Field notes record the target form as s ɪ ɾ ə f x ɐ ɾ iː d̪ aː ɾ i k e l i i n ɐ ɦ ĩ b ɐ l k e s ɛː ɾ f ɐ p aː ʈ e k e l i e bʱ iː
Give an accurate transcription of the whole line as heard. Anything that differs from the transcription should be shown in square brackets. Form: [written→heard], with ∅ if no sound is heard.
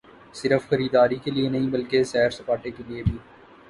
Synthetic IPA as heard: s ɪ ɾ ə f x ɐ ɾ iː d̪ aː ɾ i k e l i [i→e] n ɐ ɦ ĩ b ɐ l k e s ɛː ɾ [f→s] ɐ p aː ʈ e k e l i e bʱ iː